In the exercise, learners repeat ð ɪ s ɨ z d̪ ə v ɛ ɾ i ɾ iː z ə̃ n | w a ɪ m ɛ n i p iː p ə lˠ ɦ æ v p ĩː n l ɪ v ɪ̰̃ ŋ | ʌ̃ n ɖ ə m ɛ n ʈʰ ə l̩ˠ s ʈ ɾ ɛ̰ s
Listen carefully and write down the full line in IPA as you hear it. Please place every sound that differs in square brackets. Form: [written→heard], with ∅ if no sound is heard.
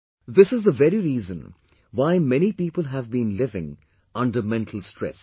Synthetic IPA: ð ɪ s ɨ z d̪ ə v ɛ ɾ i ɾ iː z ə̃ n | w a ɪ m ɛ n i p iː p ə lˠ ɦ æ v [p→b] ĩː n l ɪ v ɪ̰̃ ŋ | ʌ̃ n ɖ ə m [ɛ→ɛ̃] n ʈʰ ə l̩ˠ s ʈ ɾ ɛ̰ s